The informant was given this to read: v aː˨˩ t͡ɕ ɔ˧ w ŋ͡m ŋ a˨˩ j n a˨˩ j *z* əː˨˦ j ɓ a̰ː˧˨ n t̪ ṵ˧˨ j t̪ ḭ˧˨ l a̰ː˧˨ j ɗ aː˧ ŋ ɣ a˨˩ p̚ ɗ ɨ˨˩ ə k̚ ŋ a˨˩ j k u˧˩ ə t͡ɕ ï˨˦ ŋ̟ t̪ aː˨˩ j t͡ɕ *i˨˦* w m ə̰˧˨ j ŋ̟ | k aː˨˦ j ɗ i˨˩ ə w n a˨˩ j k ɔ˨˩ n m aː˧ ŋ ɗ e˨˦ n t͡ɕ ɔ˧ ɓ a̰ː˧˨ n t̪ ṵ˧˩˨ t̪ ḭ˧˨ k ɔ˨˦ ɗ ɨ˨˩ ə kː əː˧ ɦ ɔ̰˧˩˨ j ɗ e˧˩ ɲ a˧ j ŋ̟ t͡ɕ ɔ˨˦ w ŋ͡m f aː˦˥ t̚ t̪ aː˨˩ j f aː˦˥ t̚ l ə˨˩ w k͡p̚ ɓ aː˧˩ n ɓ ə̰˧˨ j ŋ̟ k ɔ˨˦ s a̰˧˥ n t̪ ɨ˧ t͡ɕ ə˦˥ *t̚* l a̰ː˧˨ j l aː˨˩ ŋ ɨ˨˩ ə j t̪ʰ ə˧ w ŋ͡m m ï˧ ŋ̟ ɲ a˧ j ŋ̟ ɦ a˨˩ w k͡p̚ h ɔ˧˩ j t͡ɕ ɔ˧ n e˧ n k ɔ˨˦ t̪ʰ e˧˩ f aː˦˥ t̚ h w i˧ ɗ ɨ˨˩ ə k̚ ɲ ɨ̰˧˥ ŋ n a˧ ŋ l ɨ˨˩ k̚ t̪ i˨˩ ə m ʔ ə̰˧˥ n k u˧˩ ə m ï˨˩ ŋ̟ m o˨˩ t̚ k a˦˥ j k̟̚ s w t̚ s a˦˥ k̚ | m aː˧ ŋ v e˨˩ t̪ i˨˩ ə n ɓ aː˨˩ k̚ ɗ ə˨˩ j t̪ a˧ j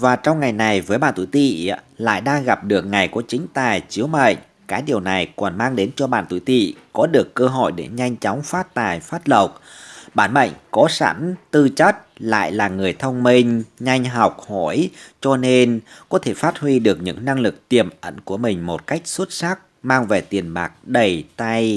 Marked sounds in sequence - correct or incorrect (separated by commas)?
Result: incorrect, correct, correct